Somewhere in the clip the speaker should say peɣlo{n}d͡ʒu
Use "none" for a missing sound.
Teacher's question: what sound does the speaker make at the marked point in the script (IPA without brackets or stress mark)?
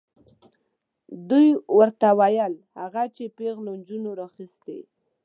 n